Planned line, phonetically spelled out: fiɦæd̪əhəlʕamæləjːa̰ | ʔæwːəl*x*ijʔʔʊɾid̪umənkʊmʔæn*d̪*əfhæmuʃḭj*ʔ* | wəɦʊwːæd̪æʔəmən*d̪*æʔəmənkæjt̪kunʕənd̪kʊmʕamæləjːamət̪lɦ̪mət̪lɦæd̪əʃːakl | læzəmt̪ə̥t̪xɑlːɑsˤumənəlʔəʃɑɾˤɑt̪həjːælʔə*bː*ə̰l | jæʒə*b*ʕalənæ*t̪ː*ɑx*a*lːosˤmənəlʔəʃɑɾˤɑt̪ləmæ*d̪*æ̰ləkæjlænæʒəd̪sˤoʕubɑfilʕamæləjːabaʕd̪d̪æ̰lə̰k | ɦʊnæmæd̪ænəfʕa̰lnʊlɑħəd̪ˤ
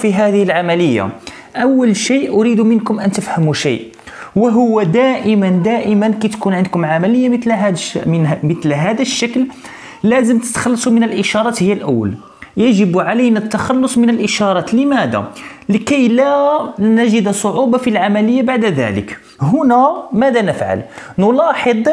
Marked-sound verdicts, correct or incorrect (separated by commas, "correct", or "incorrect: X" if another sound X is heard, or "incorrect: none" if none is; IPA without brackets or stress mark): incorrect: ʃ, incorrect: t̪, correct, correct, incorrect: wː, correct, correct, incorrect: ɑ, correct